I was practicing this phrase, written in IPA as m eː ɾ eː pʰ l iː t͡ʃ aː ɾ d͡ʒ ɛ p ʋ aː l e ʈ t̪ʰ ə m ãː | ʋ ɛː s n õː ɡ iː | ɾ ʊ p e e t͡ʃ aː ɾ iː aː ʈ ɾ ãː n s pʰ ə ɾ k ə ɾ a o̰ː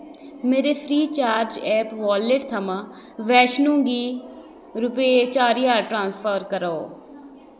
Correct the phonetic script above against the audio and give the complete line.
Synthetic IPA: m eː ɾ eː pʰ ɾ iː t͡ʃ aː ɾ d͡ʒ ɛː p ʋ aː l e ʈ t̪ʰ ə m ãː | ʋ ɛː ʃ n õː ɡ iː | ɾ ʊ p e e t͡ʃ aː ɾ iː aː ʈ ɾ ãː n s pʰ ə ɾ k ə ɾ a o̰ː